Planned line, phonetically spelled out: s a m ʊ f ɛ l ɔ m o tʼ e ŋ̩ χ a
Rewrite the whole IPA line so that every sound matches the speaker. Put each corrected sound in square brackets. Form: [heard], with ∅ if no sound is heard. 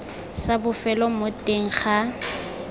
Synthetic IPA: s a [b] ʊ f ɛ l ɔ m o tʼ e ŋ̩ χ a